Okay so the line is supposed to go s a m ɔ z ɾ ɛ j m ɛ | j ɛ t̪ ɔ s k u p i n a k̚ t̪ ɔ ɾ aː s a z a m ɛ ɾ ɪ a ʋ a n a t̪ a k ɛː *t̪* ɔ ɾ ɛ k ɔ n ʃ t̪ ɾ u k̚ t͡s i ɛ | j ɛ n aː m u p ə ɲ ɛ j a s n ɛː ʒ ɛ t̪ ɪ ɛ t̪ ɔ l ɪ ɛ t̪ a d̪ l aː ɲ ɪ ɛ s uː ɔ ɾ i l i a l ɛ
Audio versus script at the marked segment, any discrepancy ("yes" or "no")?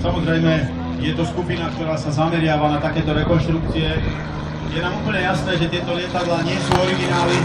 no